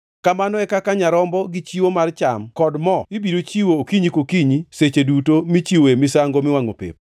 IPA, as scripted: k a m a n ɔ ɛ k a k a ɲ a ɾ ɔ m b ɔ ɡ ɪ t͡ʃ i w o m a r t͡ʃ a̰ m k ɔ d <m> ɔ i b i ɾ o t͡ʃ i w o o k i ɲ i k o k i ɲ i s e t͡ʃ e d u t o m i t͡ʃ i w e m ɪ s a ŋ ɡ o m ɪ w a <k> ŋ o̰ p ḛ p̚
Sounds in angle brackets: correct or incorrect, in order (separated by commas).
correct, incorrect